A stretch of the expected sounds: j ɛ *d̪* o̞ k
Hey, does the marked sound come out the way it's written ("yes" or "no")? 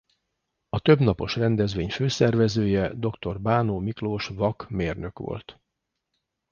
yes